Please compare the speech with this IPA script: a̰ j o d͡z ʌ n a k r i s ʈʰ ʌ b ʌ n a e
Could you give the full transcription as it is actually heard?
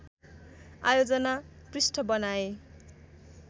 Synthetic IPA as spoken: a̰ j o d͡z ʌ n a p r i s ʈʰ ʌ b ʌ n a e